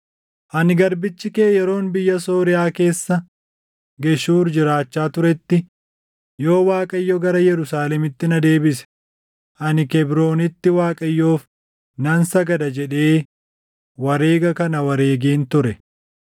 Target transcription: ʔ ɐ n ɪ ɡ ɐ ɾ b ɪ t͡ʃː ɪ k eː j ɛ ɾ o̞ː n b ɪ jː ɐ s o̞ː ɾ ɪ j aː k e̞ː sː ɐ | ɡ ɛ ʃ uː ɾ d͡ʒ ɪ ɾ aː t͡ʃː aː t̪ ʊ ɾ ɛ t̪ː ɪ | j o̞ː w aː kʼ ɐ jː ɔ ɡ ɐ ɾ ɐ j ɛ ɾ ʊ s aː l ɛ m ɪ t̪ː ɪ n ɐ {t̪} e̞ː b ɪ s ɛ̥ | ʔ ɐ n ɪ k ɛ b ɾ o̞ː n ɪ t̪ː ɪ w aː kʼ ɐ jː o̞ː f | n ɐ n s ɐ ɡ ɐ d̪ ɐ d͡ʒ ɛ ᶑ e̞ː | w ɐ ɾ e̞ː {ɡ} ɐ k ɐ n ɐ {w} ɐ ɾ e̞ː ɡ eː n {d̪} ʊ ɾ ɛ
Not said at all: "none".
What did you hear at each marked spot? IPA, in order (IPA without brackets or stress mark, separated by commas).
d̪, ɡ, w, t̪